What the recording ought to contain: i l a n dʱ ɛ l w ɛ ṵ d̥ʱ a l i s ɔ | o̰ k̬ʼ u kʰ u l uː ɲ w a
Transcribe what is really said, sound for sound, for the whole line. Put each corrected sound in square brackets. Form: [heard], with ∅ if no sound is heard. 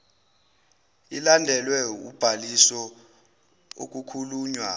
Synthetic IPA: i l a n dʱ ɛ l w ɛ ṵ [b̥ʱ] a l i s ɔ | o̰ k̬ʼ u kʰ u l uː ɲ w a